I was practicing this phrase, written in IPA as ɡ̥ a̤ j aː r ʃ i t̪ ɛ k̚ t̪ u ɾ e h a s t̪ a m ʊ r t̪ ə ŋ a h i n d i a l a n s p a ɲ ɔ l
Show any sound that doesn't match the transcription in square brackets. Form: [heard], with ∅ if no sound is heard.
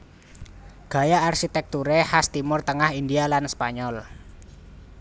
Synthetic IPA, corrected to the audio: ɡ̥ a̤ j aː r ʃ i t̪ ɛ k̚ t̪ u ɾ e h a s t̪ [i] m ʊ r t̪ ə ŋ a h i n d i a l a n s p a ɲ ɔ l